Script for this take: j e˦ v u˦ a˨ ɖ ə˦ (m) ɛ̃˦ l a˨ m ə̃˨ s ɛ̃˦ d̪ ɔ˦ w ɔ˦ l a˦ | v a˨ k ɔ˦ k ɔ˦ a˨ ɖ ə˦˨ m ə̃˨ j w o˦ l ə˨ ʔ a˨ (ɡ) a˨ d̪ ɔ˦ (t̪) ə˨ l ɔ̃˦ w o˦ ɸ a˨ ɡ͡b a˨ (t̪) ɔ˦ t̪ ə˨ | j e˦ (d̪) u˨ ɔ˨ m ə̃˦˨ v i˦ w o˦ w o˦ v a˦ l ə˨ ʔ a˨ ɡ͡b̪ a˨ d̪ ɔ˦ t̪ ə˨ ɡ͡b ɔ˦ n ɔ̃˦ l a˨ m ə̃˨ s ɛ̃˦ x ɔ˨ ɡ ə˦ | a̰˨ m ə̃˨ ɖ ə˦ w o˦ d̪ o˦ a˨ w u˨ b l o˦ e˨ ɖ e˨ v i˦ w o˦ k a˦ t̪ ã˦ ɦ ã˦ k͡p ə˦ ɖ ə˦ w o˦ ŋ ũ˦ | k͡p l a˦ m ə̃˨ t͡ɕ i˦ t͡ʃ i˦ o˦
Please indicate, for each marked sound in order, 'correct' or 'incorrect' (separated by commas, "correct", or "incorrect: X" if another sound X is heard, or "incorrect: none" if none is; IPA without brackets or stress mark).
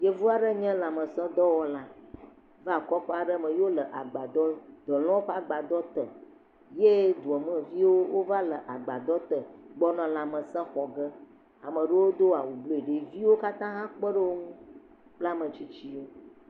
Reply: incorrect: ɲ, incorrect: ɡ͡b, incorrect: d̪, incorrect: d̪, correct